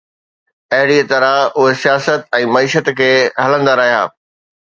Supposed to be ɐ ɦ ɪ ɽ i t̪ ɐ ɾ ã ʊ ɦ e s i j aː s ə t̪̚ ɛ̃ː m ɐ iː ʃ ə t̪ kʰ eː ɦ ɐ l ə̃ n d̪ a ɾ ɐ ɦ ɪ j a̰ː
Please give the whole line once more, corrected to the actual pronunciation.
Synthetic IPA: ɐ ɦ ɪ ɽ i t̪ ɐ ɾ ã ʊ ɦ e s i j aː s ə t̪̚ ɛ̃ː m ɐ iː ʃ ə t̪ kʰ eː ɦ ɐ l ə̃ n d̪ a ɾ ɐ ɦ i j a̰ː